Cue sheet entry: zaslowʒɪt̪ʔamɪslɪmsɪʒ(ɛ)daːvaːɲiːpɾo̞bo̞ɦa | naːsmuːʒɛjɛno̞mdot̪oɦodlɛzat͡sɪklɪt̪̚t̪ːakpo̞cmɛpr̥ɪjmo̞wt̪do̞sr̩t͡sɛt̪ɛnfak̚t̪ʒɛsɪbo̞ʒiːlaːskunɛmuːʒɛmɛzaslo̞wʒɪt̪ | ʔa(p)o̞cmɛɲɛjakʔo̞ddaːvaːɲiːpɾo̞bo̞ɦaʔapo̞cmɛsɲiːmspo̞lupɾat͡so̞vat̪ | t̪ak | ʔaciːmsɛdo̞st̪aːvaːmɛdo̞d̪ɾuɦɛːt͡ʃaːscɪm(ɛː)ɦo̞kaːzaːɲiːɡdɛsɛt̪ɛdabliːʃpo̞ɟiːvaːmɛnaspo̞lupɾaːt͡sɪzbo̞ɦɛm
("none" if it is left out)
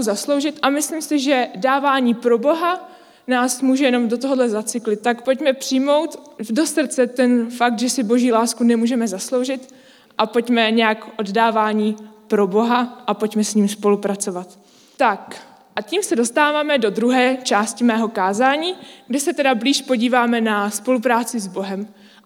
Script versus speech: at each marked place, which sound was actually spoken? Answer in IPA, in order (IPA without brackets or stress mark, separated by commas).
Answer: ɛ, p, ɛː